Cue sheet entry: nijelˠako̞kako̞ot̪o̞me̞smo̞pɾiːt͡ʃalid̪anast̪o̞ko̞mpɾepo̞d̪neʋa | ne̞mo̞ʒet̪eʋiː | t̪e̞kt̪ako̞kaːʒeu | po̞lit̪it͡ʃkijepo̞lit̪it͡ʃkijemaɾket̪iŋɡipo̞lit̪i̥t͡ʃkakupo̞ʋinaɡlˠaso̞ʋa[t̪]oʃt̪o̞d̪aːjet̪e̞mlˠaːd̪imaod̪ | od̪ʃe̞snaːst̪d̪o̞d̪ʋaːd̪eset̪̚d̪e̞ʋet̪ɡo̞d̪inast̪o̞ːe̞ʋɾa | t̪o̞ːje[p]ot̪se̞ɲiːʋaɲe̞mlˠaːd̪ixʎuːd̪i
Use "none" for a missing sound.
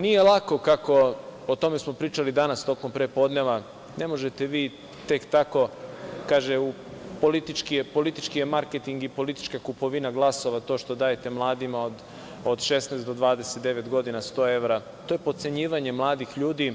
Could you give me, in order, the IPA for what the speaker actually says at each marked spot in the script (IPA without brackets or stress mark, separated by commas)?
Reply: t̪, p